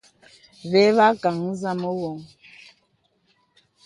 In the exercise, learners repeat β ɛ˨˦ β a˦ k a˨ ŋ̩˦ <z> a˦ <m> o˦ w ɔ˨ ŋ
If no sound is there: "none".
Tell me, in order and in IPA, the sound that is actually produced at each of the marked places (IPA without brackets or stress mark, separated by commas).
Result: z, m